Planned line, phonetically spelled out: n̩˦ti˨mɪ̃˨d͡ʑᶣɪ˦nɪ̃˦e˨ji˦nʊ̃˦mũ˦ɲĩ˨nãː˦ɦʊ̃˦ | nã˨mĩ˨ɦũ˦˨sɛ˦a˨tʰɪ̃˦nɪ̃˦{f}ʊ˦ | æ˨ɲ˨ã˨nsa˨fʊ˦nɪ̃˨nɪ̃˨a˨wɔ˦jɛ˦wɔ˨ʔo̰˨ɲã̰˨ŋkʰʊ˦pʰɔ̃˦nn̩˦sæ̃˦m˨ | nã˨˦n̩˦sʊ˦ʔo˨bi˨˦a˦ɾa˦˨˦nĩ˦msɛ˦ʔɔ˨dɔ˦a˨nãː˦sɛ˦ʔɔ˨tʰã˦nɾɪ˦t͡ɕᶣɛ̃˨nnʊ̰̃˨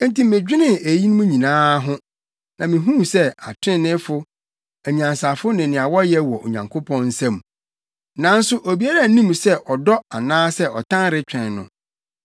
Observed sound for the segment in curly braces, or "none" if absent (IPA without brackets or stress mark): f